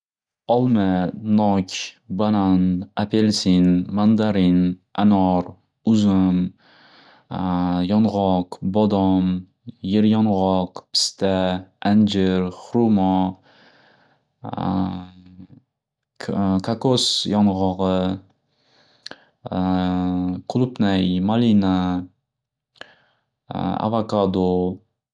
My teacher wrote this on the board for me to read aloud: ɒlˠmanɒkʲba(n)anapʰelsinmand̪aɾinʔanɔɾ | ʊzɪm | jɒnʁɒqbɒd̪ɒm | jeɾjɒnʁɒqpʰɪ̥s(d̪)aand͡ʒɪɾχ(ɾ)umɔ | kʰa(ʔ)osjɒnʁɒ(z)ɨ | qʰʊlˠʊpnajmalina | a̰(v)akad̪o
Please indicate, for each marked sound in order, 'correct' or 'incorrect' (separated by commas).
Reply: correct, incorrect, correct, incorrect, incorrect, correct